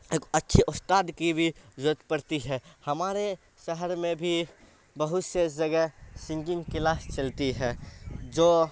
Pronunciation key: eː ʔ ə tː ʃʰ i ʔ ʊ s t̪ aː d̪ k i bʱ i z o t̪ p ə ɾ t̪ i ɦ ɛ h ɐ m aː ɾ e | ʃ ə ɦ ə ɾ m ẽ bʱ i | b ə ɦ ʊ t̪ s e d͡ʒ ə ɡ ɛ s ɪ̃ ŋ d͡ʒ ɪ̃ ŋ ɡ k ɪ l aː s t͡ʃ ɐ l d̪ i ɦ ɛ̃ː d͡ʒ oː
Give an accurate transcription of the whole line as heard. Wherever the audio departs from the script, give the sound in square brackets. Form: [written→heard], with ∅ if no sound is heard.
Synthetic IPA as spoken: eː [ʔ→k] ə tː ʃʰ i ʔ ʊ s t̪ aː d̪ k i bʱ i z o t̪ p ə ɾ t̪ i ɦ ɛ h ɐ m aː ɾ e | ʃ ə ɦ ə ɾ m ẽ bʱ i | b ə ɦ ʊ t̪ s e d͡ʒ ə ɡ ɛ s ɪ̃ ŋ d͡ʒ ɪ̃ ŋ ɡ k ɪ l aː s t͡ʃ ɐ l [d̪→t̪] i ɦ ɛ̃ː d͡ʒ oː